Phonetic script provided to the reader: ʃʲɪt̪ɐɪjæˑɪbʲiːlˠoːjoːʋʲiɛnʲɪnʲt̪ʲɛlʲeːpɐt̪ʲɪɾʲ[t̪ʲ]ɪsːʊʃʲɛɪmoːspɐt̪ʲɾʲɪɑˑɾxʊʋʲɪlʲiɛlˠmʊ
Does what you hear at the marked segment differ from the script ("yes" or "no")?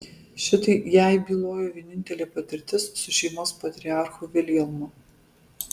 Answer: no